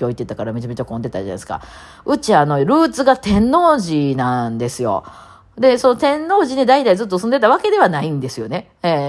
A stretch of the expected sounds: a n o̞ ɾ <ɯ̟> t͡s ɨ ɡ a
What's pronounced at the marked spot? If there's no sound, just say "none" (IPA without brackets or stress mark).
ɯ̟ː